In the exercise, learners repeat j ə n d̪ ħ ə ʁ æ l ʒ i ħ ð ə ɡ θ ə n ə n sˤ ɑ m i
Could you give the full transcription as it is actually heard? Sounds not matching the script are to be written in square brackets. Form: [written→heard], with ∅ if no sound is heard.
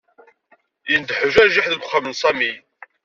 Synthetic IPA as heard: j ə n d̪ ħ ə [ʁ→ʒ] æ [l→ɾ] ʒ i ħ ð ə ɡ [θ→χ] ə [n→m] ə n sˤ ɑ m i

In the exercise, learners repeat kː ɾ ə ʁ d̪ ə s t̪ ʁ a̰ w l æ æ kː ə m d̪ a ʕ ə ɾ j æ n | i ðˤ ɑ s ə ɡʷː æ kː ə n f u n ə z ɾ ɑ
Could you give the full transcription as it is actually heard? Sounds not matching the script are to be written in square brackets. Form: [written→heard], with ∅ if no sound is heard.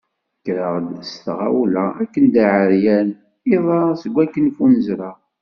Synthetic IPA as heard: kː ɾ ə ʁ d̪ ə s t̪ ʁ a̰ w l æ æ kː ə [m→n] d̪ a ʕ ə ɾ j æ n | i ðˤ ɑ s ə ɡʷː æ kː ə n f u n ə z ɾ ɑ

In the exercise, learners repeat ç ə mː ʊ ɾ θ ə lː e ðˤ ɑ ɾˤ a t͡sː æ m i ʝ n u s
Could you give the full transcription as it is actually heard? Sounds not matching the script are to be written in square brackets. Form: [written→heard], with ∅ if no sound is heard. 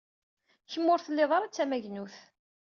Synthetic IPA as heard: ç ə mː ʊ ɾ θ ə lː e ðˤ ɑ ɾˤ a t͡sː æ m [i→æ] ʝ n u [s→θ]

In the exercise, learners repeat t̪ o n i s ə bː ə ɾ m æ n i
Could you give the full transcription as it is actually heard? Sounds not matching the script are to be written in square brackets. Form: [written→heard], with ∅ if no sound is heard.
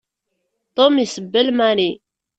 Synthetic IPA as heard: t̪ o [n→m] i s ə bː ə [ɾ→l] m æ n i

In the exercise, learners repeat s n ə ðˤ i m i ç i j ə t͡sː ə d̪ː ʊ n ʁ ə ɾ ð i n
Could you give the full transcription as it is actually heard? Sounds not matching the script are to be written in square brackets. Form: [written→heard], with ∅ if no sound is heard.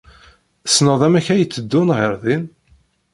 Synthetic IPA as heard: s n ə ðˤ [i→æ] m [i→æ] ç [i→æ] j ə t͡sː ə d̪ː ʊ n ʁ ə ɾ ð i n

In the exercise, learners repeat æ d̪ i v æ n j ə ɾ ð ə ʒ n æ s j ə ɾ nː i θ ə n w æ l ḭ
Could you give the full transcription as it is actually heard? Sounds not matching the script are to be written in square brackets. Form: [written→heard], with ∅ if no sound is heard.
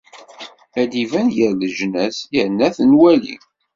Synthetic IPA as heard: æ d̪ i v æ n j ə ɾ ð ə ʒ n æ s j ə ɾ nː [i→æ] θ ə n w æ l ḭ

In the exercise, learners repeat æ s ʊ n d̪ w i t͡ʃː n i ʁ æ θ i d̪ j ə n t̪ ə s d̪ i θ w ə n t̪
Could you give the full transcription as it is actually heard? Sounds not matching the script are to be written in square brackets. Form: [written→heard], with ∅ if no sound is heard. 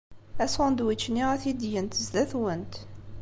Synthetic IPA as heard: æ s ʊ n d̪ w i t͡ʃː n i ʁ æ θ i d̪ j ə n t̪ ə [s→z] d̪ [i→æ] θ w ə n t̪

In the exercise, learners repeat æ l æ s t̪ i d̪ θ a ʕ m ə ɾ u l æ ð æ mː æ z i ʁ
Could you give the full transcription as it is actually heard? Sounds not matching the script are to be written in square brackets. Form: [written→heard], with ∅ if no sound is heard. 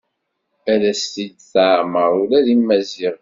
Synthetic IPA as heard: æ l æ s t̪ i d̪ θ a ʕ m ə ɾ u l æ ð [æ→i] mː æ z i ʁ

